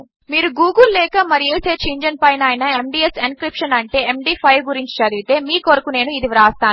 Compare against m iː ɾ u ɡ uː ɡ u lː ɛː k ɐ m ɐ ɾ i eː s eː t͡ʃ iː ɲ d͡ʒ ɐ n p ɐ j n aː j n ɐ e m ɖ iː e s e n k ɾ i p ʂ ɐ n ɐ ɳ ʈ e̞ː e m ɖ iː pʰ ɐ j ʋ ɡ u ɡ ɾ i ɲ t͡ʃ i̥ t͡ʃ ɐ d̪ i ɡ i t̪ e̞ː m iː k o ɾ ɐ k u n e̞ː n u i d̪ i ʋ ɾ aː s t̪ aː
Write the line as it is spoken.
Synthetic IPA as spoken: m iː ɾ u ɡ uː ɡ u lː ɛː k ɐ m ɐ ɾ i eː s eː t͡ʃ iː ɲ d͡ʒ ɐ n p ɐ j n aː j n ɐ e m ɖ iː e s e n k ɾ i p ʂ ɐ n ɐ ɳ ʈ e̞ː e m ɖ iː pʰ ɐ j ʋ ɡ u ɾ i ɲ t͡ʃ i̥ t͡ʃ ɐ d̪ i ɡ i t̪ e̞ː m iː k o ɾ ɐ k u n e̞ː n u i d̪ i ʋ ɾ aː s t̪ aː

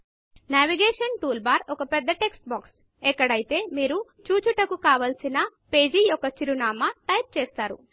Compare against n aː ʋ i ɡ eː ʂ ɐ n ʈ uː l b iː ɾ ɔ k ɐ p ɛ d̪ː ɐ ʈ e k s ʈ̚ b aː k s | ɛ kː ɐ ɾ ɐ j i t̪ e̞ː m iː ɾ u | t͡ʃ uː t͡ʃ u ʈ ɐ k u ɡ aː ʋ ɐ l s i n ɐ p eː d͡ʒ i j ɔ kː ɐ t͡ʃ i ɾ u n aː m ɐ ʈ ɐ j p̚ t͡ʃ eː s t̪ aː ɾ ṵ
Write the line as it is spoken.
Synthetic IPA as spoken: n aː ʋ i ɡ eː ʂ ɐ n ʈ uː l b aː ɾ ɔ k ɐ p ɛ d̪ː ɐ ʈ e k s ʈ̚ b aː k s | ɛ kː ɐ ɽ ɐ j i t̪ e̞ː m iː ɾ u | t͡ʃ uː t͡ʃ u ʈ ɐ k u k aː ʋ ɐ l s i n ɐ p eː d͡ʒ i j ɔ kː ɐ t͡ʃ i ɾ u n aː m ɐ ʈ ɐ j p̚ t͡ʃ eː s t̪ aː ɾ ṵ

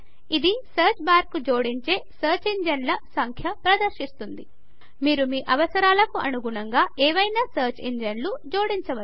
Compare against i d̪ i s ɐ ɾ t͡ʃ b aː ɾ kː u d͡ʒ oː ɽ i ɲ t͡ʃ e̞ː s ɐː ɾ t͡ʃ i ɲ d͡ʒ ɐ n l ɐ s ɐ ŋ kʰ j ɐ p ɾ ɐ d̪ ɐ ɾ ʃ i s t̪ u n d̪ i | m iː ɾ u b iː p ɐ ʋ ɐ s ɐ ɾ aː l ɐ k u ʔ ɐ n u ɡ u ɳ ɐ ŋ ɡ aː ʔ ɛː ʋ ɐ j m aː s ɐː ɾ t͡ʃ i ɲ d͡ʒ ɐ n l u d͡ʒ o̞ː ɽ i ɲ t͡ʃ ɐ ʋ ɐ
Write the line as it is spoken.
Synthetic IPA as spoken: i d̪ i s ɐ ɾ t͡ʃ b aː ɾ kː u d͡ʒ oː ɽ i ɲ t͡ʃ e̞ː s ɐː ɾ t͡ʃ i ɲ d͡ʒ ɐ n l ɐ s ɐ ŋ kʰ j ɐ p ɾ ɐ d̪ ɐ ɾ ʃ i s t̪ u n d̪ i | m iː ɾ u m iː ʔ ɐ ʋ ɐ s ɐ ɾ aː l ɐ k u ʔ ɐ n u ɡ u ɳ ɐ ŋ ɡ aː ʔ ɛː ʋ ɐ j n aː s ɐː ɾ t͡ʃ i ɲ d͡ʒ ɐ n l u d͡ʒ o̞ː ɽ i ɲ t͡ʃ ɐ ʋ ɐ

